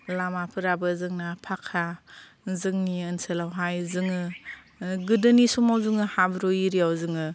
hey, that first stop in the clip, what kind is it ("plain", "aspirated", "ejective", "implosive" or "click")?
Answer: aspirated